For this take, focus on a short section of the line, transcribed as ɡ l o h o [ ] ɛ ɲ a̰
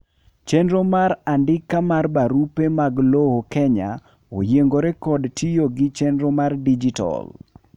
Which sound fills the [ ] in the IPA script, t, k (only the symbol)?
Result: k